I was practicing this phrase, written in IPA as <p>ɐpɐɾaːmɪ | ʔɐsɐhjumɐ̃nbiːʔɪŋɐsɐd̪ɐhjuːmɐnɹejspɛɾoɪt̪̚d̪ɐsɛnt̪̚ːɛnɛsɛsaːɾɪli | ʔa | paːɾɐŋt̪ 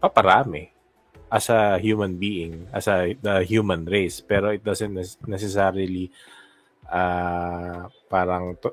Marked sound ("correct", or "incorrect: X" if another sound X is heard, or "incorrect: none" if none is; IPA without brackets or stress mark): correct